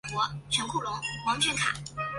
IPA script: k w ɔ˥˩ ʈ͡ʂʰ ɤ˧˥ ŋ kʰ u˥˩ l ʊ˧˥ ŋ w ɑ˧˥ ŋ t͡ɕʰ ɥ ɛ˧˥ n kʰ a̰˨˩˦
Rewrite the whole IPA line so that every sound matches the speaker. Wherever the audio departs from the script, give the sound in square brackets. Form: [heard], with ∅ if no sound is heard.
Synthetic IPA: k w [ɔ˧˥] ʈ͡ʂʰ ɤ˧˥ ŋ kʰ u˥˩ l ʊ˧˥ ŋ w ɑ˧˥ ŋ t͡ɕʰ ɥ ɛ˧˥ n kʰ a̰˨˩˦